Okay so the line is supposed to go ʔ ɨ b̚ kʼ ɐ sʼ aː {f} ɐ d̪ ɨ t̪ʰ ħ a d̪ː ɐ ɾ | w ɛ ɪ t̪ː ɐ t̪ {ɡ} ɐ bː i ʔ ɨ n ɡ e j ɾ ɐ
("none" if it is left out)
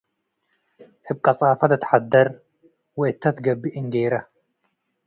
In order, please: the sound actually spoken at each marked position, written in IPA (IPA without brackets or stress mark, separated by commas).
f, ɡ